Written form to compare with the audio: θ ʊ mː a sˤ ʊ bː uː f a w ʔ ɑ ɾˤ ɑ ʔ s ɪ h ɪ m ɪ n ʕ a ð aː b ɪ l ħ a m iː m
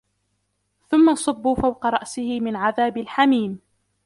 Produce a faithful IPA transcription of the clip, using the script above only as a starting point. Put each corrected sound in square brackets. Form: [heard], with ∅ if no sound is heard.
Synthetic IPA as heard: θ ʊ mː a sˤ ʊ bː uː f a w [q] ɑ ɾˤ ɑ ʔ s ɪ h ɪ m ɪ n ʕ a ð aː b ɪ l ħ a m iː m